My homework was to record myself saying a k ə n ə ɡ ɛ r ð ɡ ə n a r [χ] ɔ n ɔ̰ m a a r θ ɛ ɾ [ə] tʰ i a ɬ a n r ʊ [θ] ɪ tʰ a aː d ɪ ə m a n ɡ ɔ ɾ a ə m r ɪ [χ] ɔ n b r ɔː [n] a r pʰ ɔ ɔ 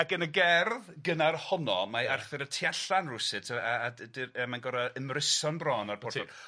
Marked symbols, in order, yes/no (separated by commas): no, yes, no, no, yes